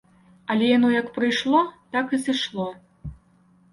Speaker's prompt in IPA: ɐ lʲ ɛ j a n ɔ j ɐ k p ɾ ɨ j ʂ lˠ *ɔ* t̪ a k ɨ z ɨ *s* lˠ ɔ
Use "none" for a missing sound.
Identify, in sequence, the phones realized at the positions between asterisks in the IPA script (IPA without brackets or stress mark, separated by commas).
ɔ, ʂ